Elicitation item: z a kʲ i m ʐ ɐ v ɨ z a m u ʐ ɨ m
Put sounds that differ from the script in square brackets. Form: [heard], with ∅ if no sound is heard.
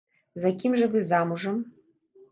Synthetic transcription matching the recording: z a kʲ i m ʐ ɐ v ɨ z a m u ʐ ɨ m